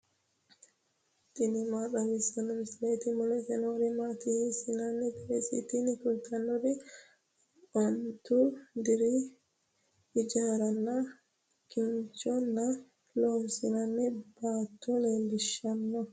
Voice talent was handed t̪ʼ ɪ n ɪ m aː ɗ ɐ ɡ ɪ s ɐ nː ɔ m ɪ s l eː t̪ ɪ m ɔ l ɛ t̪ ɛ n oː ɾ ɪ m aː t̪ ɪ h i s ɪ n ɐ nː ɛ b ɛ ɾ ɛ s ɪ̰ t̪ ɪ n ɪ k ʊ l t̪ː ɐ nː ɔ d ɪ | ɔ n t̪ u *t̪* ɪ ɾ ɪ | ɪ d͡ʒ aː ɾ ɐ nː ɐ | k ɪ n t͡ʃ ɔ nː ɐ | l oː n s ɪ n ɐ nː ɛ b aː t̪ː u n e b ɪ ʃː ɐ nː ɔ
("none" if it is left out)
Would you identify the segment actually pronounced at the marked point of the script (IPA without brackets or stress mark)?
d̪